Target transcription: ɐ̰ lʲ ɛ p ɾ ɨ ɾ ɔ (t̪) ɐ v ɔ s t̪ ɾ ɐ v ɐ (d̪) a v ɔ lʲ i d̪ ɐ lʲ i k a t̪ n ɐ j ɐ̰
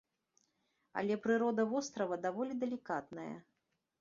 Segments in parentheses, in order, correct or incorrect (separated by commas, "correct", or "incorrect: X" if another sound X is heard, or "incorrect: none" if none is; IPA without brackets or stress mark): incorrect: d̪, correct